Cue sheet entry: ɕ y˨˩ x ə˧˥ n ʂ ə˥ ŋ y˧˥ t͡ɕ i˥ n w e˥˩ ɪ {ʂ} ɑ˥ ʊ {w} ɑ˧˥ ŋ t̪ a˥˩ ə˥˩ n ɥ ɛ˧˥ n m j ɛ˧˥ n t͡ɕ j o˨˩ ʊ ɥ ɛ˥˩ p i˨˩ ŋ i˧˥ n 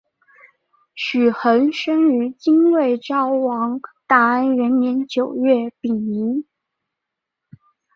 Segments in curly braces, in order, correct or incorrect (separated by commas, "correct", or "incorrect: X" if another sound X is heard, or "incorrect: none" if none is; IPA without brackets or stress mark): incorrect: ʈ͡ʂ, correct